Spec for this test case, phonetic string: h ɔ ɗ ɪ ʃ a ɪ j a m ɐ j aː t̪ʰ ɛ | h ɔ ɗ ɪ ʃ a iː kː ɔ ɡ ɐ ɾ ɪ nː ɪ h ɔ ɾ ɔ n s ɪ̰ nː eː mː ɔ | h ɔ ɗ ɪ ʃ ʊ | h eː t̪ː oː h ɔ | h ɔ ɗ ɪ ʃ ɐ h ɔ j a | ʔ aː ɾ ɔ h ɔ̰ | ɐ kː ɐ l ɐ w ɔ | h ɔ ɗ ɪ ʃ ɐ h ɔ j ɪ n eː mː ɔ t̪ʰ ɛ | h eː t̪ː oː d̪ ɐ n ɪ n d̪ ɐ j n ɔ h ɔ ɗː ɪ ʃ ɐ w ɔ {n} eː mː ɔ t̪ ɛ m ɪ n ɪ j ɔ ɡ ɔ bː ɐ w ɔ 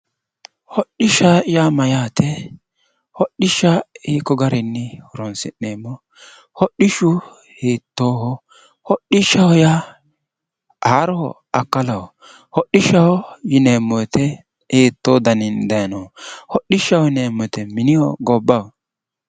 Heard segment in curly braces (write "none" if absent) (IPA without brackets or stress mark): n